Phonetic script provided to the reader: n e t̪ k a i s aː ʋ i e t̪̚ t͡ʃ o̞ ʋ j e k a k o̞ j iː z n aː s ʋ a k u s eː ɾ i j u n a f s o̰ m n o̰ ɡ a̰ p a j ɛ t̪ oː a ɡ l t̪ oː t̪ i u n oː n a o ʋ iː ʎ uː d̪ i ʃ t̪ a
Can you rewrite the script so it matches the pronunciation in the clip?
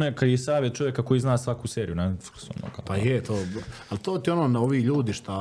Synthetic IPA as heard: n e k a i s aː ʋ j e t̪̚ t͡ʃ o̞ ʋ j e k a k o̞ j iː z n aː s ʋ a k u s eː ɾ i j u n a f s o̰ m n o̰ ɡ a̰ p a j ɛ t̪ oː a l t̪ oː t̪ i o n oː n a o ʋ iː ʎ uː d̪ i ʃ t̪ a